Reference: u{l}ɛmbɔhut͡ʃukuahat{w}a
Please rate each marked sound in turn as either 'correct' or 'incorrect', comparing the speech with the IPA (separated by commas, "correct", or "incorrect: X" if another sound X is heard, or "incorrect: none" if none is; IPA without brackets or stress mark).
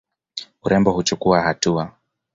incorrect: ɾ, incorrect: u